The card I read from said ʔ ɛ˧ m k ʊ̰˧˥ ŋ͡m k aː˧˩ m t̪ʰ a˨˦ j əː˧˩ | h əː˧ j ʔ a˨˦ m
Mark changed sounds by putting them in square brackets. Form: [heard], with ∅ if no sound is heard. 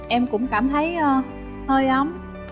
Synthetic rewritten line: ʔ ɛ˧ m k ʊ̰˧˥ ŋ͡m k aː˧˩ m t̪ʰ [ə˨˦] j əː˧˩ | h əː˧ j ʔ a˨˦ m